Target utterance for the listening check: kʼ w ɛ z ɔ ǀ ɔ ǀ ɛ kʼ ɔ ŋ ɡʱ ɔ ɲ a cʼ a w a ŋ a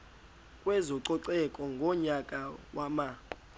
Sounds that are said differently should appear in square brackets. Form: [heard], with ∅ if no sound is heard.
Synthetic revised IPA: kʼ w ɛ z ɔ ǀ ɔ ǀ ɛ kʼ ɔ ŋ ɡʱ ɔ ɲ a [kʼ] a w a [m] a